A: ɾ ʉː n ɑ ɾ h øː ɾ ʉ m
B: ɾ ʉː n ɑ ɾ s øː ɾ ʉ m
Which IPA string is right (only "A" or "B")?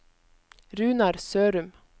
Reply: B